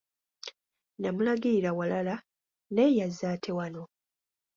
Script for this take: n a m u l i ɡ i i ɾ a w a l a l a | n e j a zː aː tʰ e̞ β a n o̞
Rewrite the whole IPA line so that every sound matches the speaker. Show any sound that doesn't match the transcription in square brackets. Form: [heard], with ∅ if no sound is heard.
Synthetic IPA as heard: n a m u l [a] ɡ i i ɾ a w a l a l a | n e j a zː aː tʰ e̞ [w] a n o̞